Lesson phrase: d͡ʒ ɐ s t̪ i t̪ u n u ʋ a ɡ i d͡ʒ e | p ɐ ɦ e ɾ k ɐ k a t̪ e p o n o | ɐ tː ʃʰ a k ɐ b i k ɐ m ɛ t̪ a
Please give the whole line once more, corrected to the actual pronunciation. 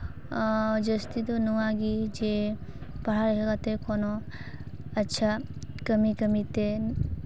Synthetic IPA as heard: d͡ʒ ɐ s t̪ i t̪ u n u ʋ a ɡ i d͡ʒ e | p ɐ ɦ a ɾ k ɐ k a t̪ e k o n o | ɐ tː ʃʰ a k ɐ m i k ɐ m i t̪ e